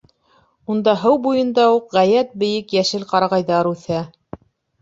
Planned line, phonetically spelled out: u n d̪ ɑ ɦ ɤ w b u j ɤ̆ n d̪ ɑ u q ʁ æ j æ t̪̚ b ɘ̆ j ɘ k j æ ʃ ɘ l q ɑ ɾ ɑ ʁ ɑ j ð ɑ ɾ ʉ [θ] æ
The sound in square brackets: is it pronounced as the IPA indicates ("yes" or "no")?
yes